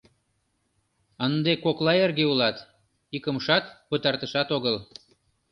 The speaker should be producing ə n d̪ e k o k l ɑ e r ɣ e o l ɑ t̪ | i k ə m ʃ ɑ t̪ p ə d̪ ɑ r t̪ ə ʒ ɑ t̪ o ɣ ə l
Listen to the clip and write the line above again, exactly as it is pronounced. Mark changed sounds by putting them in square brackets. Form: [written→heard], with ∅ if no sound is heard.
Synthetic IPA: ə n d̪ e k o k l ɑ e r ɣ e [o→u] l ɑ t̪ | i k ə m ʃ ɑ t̪ p ə [d̪→t̪] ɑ r t̪ ə [ʒ→ʃ] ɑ t̪ o ɣ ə l